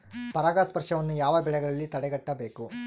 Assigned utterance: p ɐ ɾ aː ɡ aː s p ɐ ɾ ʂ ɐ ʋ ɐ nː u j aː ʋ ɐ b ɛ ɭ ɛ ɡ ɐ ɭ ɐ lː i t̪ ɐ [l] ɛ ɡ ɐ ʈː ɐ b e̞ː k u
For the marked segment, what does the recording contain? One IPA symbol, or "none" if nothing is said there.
ɽ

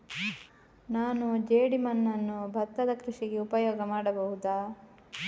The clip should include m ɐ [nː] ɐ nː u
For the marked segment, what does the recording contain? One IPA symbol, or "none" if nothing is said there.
nː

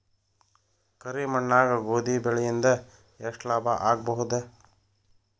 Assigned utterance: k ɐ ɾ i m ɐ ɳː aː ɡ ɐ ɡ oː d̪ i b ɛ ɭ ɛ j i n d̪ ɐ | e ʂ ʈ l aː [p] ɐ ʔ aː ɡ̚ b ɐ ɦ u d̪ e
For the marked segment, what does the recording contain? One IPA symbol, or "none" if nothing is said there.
b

